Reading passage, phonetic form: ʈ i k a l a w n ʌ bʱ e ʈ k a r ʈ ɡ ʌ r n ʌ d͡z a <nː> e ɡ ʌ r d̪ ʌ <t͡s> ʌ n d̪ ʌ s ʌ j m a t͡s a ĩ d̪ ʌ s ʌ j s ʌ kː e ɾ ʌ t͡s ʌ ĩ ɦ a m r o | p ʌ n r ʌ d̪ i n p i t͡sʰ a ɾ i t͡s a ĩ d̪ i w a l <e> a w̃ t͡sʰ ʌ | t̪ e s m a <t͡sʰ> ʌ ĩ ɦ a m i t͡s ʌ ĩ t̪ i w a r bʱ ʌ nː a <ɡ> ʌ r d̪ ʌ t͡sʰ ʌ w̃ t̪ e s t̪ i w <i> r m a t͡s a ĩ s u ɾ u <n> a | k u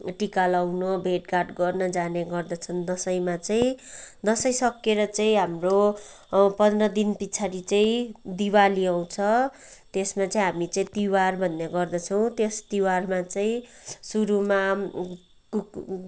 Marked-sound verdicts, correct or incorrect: incorrect: n, incorrect: t͡sʰ, incorrect: i, incorrect: t͡s, correct, incorrect: a, incorrect: m

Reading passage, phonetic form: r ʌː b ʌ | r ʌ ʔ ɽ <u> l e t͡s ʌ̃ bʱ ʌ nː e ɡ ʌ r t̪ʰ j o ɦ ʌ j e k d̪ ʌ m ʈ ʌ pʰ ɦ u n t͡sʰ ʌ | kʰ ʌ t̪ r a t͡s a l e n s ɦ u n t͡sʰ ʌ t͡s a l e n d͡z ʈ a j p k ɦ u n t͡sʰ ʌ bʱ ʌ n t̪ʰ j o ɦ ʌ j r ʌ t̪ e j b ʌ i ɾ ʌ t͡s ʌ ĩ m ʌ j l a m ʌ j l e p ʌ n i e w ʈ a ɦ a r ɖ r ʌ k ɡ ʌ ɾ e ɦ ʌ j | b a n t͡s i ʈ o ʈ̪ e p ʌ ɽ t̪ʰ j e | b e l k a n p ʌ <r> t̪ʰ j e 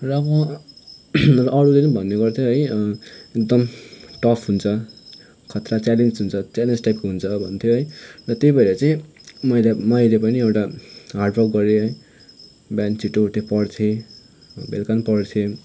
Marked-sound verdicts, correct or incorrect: correct, incorrect: ɽ

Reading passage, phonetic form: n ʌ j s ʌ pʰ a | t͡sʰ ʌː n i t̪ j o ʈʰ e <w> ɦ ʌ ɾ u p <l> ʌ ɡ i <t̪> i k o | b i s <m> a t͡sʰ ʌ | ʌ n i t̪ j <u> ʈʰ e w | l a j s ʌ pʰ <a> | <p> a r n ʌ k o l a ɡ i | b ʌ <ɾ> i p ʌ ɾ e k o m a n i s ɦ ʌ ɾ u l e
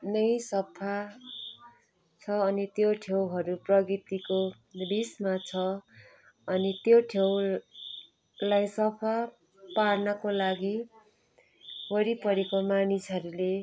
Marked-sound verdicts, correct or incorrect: correct, incorrect: r, correct, correct, incorrect: o, correct, correct, correct

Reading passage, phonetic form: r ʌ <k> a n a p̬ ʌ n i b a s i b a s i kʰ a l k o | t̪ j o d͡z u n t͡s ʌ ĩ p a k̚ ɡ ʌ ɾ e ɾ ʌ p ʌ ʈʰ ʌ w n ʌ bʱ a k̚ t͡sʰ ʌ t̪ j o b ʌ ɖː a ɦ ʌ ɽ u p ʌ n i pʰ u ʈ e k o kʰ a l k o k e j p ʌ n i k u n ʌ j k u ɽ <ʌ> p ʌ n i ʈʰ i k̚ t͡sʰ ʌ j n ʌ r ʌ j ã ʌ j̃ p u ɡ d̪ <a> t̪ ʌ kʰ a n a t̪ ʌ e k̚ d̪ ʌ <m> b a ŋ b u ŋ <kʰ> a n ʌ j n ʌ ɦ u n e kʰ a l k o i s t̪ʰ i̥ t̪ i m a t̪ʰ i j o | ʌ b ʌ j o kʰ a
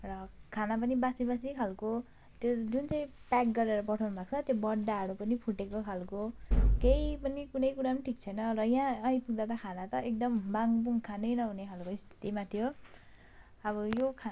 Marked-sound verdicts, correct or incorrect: incorrect: kʰ, incorrect: a, correct, correct, correct

